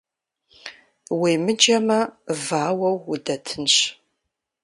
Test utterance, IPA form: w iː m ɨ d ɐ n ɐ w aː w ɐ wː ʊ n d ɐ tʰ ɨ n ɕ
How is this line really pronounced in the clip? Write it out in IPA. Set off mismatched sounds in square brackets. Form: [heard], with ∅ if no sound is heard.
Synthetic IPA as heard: w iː m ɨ [d͡ʒ] ɐ [m] ɐ [v] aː w ɐ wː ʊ [∅] d ɐ tʰ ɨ n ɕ